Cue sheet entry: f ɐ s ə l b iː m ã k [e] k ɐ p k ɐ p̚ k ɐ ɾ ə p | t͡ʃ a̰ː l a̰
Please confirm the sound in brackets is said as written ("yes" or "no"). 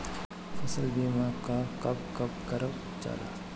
no